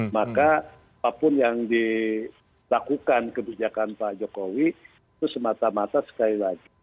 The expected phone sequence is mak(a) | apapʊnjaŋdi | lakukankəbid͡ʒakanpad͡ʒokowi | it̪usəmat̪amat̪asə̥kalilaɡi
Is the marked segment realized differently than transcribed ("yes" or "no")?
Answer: no